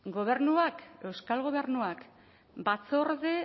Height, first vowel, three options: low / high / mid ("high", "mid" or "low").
mid